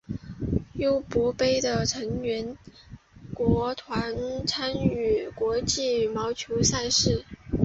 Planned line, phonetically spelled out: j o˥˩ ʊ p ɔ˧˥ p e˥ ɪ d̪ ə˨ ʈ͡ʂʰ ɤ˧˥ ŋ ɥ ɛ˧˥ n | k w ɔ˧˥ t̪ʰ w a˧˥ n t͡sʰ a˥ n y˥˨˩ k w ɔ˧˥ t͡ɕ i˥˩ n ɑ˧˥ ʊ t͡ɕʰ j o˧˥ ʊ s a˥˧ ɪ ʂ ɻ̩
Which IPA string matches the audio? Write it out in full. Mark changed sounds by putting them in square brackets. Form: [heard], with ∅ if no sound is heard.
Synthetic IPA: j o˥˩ ʊ p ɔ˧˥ p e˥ ɪ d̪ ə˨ ʈ͡ʂʰ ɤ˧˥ ŋ ɥ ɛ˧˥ n | k w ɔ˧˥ t̪ʰ w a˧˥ n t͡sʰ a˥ n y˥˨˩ k w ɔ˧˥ t͡ɕ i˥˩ [m] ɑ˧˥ ʊ t͡ɕʰ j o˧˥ ʊ s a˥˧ ɪ ʂ ɻ̩